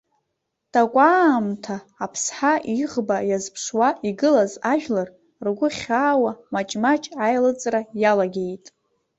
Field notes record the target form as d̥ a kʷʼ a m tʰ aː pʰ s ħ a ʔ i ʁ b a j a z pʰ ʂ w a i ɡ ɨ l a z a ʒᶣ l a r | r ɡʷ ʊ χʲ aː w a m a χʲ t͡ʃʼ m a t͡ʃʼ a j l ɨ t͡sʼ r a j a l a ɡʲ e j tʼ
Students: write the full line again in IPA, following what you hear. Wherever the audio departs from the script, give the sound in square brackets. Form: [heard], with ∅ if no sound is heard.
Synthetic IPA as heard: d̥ a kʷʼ a m tʰ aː pʰ s ħ a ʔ i ʁ b a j a z pʰ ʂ w a i ɡ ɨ l a z a ʒᶣ l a r | r ɡʷ ʊ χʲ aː w a m a [∅] t͡ʃʼ m a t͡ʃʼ a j l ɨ t͡sʼ r a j a l a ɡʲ e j tʼ